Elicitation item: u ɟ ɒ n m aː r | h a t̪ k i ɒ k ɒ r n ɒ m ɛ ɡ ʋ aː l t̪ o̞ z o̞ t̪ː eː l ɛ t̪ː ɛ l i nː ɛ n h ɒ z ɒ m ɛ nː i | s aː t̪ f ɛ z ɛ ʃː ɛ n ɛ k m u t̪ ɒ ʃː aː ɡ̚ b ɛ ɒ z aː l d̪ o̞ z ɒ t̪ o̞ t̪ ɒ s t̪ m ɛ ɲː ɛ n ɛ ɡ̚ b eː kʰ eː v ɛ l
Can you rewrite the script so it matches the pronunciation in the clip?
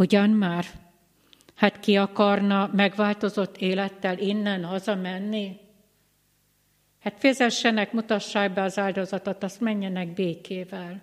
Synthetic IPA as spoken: u ɟ ɒ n m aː r | h a t̪ k i ɒ k ɒ r n ɒ m ɛ ɡ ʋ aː l t̪ o̞ z o̞ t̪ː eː l ɛ t̪ː ɛ l i nː ɛ n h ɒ z ɒ m ɛ nː i | h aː t̪ f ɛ z ɛ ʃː ɛ n ɛ k m u t̪ ɒ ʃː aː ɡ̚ b ɛ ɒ z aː l d̪ o̞ z ɒ t̪ o̞ t̪ ɒ s t̪ m ɛ ɲː ɛ n ɛ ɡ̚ b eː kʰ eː v ɛ l